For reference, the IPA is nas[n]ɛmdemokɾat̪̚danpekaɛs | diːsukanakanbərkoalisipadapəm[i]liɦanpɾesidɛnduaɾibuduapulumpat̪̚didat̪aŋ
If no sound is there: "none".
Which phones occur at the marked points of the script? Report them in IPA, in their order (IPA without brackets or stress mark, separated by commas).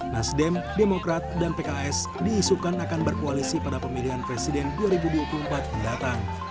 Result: d, i